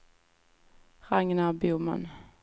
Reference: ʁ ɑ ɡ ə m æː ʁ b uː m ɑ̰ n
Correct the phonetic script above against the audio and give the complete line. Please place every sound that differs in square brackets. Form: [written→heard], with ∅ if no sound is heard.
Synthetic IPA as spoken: ʁ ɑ [ɡ→ŋ] ə [m→n] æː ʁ b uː m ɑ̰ n